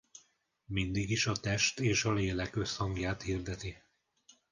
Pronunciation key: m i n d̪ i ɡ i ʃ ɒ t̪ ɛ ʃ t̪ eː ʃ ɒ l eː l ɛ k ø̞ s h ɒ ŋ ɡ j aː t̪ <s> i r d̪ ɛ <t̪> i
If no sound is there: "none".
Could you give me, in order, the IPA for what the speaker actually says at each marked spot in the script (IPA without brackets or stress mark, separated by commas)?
h, t̪